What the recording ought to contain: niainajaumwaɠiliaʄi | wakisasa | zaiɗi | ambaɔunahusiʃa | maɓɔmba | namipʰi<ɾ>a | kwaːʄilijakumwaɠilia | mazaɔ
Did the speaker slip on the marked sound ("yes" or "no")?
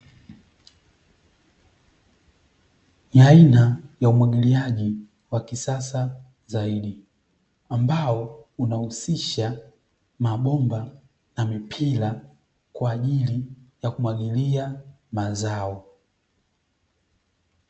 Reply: yes